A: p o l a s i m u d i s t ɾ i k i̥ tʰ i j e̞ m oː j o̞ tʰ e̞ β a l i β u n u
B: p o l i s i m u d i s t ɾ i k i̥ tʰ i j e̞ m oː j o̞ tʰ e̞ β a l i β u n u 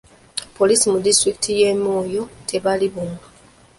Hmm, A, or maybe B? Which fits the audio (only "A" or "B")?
B